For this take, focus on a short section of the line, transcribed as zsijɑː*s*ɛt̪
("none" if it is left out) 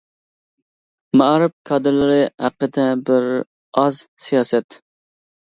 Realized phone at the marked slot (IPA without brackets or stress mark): s